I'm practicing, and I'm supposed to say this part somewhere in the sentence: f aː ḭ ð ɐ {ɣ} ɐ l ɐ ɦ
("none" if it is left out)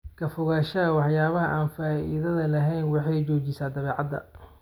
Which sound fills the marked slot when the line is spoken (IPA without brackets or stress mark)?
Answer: ð